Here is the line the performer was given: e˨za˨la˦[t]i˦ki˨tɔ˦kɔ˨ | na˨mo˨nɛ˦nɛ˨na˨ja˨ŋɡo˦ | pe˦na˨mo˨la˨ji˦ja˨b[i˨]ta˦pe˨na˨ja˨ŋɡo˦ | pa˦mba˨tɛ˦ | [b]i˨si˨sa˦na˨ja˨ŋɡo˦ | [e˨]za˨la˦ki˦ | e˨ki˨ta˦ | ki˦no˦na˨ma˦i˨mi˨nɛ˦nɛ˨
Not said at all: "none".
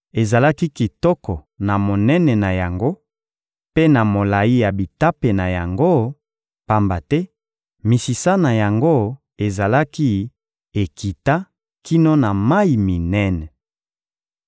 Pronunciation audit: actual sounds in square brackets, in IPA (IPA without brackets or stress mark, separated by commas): k, i˨, m, e˨